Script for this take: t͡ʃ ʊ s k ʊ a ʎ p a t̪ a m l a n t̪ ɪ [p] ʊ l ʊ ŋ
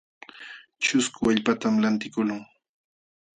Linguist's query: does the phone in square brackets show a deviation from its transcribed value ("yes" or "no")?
yes